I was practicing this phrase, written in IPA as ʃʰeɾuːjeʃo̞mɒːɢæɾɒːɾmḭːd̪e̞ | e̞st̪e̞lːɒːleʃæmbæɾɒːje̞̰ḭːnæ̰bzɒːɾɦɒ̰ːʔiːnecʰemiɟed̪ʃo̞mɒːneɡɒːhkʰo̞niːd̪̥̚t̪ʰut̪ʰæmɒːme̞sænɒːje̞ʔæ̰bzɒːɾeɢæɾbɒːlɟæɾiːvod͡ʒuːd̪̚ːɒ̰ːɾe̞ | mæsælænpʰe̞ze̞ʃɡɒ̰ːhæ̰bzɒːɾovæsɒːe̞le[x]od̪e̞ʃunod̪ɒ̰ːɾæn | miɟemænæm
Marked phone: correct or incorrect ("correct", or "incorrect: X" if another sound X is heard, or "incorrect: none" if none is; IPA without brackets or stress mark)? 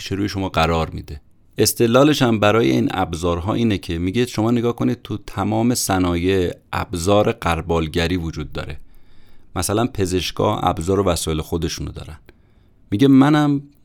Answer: correct